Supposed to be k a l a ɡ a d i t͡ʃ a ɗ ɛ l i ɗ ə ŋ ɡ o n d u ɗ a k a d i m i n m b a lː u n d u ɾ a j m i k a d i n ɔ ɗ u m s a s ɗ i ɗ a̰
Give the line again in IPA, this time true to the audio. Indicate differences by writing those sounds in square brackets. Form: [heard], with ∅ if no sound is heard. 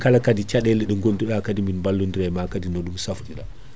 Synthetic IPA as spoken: k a l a [k] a d i t͡ʃ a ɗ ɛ l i ɗ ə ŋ ɡ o n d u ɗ a k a d i m i n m b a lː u n d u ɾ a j m [a] k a d i n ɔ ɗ u m s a [f] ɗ i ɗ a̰